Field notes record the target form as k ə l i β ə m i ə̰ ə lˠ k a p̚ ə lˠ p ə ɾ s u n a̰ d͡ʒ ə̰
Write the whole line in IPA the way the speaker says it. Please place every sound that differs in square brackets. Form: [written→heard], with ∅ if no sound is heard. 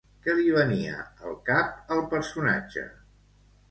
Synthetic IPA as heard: k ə l i β ə [m→n] i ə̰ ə lˠ k a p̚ ə lˠ p ə ɾ s u n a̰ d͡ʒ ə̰